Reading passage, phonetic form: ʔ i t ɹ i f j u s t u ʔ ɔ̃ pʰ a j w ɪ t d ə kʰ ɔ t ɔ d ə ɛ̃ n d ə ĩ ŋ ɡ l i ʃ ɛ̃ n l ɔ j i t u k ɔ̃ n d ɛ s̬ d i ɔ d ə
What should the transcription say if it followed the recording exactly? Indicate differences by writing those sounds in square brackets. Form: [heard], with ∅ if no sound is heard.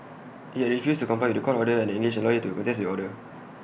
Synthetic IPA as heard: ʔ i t ɹ i f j u s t u [k] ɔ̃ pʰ a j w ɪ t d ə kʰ ɔ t ɔ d ə ɛ̃ n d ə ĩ ŋ ɡ l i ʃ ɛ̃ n l ɔ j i t u k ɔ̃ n [t] ɛ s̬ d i ɔ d ə